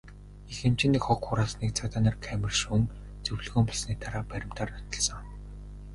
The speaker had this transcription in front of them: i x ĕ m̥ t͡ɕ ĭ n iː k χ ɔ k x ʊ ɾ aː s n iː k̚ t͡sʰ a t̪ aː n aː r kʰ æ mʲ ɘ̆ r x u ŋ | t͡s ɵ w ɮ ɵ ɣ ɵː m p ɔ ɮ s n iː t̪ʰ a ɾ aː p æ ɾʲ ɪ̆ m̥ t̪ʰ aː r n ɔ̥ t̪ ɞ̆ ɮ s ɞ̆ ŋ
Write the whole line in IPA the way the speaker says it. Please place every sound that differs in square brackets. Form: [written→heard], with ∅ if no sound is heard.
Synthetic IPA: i x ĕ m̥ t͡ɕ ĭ n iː k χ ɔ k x ʊ ɾ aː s n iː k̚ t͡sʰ a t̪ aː n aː r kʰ æ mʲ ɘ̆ r [x→ʃ] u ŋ | t͡s ɵ w ɮ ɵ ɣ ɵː m p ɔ ɮ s n iː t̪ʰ a ɾ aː p æ ɾʲ ɪ̆ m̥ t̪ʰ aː r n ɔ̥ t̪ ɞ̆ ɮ s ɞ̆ ŋ